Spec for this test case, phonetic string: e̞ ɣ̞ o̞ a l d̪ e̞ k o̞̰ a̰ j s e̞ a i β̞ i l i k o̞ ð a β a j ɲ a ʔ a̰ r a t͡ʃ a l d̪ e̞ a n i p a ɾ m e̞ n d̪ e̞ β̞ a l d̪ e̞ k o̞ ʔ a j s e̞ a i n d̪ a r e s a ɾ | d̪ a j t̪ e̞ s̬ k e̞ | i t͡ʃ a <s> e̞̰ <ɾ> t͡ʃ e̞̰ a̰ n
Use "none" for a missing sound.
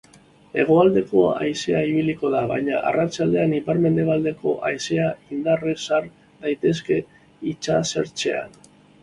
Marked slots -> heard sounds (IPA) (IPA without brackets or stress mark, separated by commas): s, ɾ